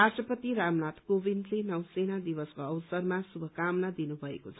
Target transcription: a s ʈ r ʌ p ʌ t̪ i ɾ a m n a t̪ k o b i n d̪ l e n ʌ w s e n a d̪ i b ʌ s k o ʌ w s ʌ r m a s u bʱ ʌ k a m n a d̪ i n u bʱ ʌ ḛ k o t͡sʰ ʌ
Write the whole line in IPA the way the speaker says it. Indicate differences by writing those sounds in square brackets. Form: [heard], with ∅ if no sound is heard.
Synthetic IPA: a s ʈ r ʌ p ʌ t̪ i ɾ a m n a t̪ k o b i n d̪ l e n ʌ w s e n a d̪ i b ʌ s k o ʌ w s ʌ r m a s u bʱ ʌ k a m n a d̪ i n u bʱ ʌ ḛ k o t͡sʰ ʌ